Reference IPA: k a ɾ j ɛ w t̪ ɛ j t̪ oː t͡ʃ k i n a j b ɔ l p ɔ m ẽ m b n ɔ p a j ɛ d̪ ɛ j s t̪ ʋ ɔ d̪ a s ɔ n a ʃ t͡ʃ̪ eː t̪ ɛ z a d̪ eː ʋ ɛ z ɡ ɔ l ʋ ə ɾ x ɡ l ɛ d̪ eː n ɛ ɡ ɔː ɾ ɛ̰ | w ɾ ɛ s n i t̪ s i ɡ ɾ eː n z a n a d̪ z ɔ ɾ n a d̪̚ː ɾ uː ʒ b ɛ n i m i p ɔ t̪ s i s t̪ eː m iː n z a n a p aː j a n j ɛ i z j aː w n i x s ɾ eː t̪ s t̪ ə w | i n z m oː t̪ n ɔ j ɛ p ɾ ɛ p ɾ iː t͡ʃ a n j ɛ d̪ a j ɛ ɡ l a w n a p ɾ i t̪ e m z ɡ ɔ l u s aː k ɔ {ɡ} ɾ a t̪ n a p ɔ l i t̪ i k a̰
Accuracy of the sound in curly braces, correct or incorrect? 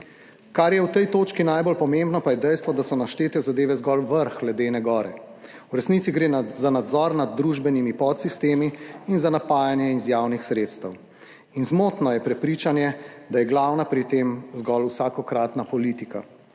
incorrect